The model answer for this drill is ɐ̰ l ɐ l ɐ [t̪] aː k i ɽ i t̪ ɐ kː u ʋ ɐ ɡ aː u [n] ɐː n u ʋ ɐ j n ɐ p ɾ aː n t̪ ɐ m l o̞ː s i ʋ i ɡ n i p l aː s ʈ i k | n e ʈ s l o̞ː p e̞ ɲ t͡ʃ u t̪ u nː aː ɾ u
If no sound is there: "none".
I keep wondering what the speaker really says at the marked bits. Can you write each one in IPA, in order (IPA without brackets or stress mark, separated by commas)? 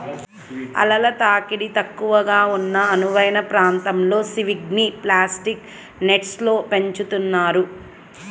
t̪, nː